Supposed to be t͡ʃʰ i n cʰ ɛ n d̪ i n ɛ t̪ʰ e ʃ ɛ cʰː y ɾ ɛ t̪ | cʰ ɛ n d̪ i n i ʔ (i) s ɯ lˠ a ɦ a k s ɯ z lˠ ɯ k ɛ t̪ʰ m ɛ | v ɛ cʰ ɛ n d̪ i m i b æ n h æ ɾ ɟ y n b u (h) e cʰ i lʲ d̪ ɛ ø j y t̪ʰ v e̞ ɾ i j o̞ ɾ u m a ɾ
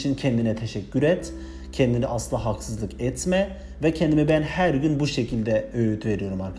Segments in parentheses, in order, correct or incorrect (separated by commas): incorrect, incorrect